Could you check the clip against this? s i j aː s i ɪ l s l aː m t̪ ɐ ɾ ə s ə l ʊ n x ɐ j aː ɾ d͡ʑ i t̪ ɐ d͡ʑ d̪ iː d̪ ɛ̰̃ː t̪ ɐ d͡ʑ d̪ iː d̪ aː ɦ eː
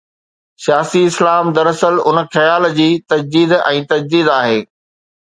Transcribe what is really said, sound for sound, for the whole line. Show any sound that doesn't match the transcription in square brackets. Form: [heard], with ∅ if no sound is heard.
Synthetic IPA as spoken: s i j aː s i ɪ [∅] s l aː m [d̪] ɐ ɾ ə s ə l ʊ n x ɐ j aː [l] d͡ʑ [iː] t̪ ɐ d͡ʑ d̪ iː d̪ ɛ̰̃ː t̪ ɐ d͡ʑ d̪ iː d̪ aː ɦ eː